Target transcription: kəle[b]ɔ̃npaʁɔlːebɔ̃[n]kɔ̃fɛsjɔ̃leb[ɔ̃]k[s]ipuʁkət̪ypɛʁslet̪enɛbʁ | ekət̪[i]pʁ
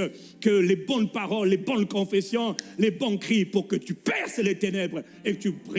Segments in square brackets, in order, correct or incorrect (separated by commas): correct, correct, correct, incorrect, incorrect